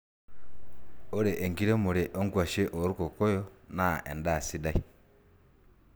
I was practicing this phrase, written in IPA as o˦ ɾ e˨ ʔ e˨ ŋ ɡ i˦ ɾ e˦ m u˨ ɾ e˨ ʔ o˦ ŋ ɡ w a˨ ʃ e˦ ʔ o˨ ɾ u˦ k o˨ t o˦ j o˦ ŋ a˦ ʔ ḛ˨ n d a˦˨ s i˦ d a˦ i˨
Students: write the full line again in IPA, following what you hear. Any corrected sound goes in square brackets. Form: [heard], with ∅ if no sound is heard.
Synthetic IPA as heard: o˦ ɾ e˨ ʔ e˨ ŋ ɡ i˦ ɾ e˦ m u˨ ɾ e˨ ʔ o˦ ŋ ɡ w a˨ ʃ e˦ ʔ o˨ ɾ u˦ k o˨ [k] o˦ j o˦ [n] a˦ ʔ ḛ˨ n d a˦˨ s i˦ d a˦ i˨